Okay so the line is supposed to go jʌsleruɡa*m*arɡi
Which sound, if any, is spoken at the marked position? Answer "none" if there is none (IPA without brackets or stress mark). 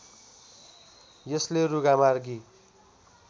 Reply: m